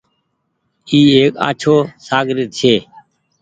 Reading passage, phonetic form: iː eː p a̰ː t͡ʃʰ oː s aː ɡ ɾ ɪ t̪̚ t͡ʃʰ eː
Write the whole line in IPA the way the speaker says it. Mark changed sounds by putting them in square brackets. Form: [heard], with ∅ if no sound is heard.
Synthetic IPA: iː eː [k] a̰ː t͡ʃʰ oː s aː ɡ ɾ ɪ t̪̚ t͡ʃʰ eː